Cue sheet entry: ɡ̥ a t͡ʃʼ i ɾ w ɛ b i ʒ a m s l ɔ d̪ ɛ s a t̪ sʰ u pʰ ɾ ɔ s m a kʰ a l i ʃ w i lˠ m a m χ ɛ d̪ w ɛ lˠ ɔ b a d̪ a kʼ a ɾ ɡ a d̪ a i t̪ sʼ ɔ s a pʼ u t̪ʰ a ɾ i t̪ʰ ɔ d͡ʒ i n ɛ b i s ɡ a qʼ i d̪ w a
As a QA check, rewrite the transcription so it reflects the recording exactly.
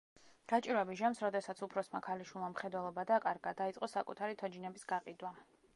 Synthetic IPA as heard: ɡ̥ a t͡ʃʼ i ɾ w ɛ b i ʒ a m s ɾ ɔ d̪ ɛ s a t̪ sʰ u pʰ ɾ ɔ s m a kʰ a l i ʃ w i lˠ m a m χ ɛ d̪ w ɛ lˠ ɔ b a d̪ a kʼ a ɾ ɡ a d̪ a i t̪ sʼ ɔ s a kʼ u t̪ʰ a ɾ i t̪ʰ ɔ d͡ʒ i n ɛ b i s ɡ a qʼ i d̪ w a